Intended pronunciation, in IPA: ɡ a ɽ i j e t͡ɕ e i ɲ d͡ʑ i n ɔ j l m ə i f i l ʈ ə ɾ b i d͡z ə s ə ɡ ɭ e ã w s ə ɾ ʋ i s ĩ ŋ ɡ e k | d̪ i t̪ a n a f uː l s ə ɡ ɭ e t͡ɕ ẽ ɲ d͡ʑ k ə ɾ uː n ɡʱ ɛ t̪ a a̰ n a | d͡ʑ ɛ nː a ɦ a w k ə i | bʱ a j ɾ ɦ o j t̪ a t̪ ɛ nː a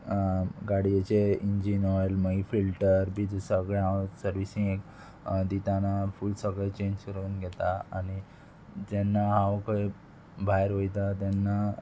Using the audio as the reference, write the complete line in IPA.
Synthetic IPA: ɡ a ɽ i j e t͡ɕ e i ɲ d͡ʑ i n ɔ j l m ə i f i l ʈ ə ɾ b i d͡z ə s ə ɡ ɭ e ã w s ə ɾ ʋ i s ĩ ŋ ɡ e k | d̪ i t̪ a n a f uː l s ə ɡ ɭ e t͡ɕ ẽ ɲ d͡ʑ k ə ɾ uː n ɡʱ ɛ t̪ a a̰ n i | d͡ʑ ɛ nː a ɦ a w k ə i | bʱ a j ɾ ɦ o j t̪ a t̪ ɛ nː a

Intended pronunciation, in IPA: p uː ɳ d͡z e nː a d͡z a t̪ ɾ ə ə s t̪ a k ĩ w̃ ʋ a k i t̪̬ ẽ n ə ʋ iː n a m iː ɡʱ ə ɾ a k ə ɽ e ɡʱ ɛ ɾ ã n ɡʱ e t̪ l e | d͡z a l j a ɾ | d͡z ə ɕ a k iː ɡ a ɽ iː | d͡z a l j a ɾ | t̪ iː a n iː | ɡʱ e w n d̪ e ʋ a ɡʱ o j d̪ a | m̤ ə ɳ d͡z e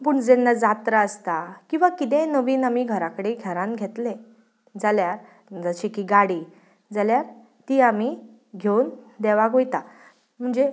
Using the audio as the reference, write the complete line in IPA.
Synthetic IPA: p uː ɳ d͡z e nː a d͡z a t̪ ɾ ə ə s t̪ a k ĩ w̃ ʋ a k i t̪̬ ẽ n ə ʋ iː n a m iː ɡʱ ə ɾ a k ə ɽ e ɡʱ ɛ ɾ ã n ɡʱ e t̪ l e | d͡z a l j a ɾ | d͡z ə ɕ i k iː ɡ a ɽ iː | d͡z a l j a ɾ | t̪ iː a m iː | ɡʱ e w n d̪ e ʋ a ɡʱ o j t̪ a | m̤ ə ɳ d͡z e

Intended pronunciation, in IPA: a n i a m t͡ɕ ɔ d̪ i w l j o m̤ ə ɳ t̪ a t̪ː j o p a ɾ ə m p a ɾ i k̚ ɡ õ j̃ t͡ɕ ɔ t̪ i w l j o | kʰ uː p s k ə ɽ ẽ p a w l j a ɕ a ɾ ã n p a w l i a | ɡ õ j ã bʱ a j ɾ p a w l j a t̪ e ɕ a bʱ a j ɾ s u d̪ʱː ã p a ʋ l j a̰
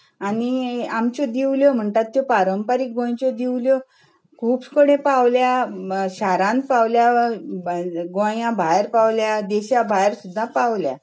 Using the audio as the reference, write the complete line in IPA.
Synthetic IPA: a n i a m t͡ɕ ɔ d̪ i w l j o m̤ ə ɳ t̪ a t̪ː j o p a ɾ ə m p a ɾ i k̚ ɡ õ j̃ t͡ɕ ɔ d̪ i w l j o | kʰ uː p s k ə ɽ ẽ p a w l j a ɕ a ɾ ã n p a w l j a | ɡ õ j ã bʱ a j ɾ p a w l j a d̪ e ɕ a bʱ a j ɾ s u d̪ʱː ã p a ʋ l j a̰

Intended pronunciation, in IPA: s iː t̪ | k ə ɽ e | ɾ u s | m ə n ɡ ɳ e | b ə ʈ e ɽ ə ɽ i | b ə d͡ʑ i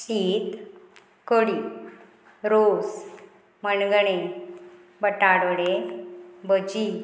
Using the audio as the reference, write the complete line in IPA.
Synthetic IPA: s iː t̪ | k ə ɽ i | ɾ o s | m ə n ɡ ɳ e | b ə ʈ a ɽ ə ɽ e | b ə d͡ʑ i

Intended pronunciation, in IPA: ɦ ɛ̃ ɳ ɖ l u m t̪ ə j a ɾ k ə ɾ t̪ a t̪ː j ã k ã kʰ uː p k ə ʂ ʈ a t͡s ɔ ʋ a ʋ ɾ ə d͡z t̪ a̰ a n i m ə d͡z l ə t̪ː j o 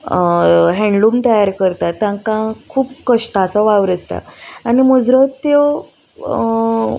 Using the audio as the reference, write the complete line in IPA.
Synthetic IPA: ɦ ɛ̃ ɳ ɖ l u m t̪ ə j a ɾ k ə ɾ t̪ a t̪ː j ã k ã kʰ uː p k ə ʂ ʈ a t͡s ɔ ʋ a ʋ ɾ ə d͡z t̪ a̰ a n i m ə d͡z ɾ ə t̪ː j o

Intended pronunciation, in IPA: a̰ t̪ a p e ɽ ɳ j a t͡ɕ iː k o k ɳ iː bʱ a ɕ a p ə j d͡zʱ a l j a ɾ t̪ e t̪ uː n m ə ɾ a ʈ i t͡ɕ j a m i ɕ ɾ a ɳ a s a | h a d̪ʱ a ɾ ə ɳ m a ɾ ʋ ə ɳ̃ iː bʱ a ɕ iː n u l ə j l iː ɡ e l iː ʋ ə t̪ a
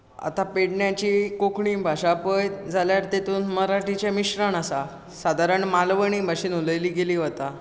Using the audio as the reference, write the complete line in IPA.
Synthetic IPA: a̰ t̪ a p e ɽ ɳ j a t͡ɕ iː k o k ɳ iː bʱ a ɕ a p ə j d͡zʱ a l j a ɾ t̪ e t̪ uː n m ə ɾ a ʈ i t͡ɕ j a m i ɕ ɾ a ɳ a s a | s a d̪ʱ a ɾ ə ɳ m a l ʋ ə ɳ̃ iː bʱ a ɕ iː n u l ə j l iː ɡ e l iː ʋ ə t̪ a

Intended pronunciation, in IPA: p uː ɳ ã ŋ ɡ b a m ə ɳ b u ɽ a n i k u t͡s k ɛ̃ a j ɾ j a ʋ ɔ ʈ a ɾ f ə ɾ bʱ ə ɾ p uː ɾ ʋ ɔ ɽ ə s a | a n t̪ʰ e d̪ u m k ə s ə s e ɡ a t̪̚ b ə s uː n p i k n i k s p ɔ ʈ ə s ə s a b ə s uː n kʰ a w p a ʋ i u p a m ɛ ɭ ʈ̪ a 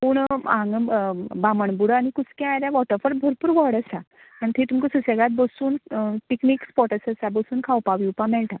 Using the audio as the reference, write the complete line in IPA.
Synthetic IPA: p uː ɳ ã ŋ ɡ b a m ə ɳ b u ɽ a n i k u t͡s k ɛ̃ a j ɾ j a ʋ ɔ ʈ ə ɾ f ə ɾ bʱ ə ɾ p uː ɾ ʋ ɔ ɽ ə s a | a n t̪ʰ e t̪ u m k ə s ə s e ɡ a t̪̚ b ə s uː n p i k n i k s p ɔ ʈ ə s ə s a b ə s uː n kʰ a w p a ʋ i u p a m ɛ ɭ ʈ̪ a

